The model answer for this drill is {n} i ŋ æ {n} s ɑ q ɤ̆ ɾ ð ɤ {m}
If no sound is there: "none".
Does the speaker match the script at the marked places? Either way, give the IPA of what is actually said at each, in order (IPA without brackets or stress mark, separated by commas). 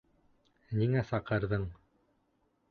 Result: n, none, ɴ